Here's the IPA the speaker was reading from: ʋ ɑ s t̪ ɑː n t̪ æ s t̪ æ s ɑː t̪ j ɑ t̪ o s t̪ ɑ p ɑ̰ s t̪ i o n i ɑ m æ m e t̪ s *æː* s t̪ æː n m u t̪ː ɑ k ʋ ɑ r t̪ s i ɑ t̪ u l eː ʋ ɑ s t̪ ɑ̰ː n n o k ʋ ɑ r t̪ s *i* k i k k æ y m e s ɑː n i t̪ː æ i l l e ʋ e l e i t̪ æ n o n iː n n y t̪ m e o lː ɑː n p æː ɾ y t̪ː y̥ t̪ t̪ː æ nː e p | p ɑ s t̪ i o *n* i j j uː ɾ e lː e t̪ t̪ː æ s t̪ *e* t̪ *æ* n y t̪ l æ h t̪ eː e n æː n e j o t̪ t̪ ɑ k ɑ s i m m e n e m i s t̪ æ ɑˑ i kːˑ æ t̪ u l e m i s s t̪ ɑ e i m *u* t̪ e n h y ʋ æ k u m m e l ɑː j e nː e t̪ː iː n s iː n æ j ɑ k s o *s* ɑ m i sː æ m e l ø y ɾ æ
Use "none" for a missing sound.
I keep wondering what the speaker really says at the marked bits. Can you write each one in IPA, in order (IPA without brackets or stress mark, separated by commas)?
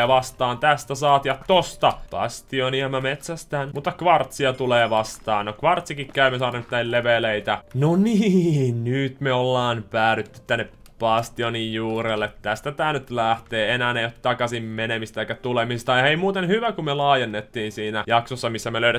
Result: æ, i, n, æ, æː, uː, sː